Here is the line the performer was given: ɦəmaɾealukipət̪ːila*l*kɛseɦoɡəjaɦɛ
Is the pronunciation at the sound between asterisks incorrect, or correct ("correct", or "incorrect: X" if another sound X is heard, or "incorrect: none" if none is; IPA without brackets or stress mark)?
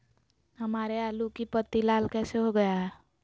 correct